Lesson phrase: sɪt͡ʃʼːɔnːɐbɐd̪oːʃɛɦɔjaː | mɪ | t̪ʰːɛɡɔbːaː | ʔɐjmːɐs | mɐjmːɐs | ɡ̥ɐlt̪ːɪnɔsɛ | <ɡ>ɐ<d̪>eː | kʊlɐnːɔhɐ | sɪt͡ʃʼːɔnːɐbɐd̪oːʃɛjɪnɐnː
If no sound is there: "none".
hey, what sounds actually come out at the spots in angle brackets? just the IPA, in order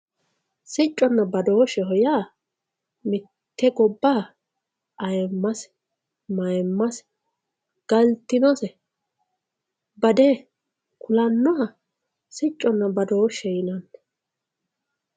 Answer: b, d̪

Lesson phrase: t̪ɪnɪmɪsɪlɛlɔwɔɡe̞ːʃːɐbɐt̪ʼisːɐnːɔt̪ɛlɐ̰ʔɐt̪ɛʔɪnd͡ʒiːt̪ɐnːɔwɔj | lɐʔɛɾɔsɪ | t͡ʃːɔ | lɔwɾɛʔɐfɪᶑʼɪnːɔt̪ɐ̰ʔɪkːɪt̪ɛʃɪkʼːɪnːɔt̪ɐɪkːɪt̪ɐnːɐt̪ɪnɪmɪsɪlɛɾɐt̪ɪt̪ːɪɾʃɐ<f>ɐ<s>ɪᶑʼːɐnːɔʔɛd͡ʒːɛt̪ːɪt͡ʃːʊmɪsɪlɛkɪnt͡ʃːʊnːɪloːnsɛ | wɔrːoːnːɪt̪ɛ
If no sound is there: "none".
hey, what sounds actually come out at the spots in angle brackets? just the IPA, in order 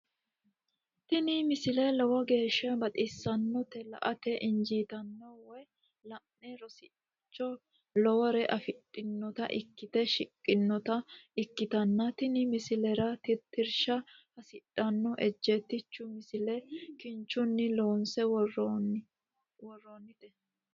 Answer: h, s

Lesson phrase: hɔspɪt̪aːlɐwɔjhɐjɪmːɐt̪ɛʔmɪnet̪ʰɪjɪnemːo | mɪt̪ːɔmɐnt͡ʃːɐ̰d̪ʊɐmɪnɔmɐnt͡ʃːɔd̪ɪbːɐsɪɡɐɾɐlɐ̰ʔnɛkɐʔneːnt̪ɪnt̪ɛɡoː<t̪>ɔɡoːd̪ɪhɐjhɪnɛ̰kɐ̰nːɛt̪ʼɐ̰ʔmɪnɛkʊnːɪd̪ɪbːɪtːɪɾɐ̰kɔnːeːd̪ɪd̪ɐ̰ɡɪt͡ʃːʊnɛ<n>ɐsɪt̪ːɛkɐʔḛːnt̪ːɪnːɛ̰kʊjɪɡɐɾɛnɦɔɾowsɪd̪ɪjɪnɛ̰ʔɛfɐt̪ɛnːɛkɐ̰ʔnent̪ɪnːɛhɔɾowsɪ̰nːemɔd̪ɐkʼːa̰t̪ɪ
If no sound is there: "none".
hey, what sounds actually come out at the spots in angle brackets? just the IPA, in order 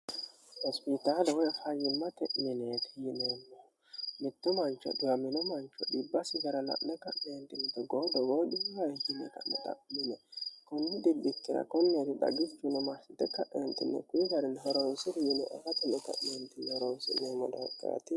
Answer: d̪, m

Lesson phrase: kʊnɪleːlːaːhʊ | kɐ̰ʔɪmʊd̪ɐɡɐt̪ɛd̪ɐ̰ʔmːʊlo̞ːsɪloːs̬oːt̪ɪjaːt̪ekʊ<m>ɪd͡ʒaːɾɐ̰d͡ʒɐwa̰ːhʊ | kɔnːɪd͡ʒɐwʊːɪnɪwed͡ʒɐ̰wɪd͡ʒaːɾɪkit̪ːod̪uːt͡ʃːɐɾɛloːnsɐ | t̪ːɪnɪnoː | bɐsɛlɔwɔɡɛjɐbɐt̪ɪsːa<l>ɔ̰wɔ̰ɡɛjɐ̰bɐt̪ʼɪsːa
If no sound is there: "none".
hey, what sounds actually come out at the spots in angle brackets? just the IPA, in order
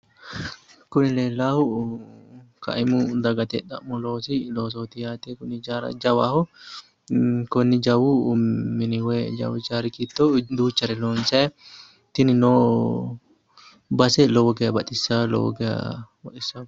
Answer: n, l

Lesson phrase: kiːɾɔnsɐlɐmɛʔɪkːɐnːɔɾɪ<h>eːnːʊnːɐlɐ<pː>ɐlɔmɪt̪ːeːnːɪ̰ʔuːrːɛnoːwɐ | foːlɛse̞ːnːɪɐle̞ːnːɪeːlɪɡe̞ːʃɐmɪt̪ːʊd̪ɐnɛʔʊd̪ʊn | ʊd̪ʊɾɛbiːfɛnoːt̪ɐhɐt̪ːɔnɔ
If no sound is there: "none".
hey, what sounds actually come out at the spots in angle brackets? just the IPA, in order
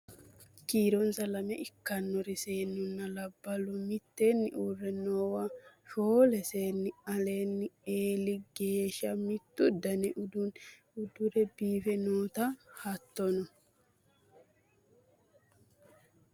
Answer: s, bː

